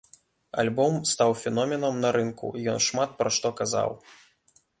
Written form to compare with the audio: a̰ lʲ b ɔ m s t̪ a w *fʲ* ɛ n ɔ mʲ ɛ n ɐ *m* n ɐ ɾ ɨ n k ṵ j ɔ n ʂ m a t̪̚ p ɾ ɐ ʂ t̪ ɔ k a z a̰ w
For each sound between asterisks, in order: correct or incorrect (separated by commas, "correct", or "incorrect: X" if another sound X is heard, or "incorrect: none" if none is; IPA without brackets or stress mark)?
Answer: correct, correct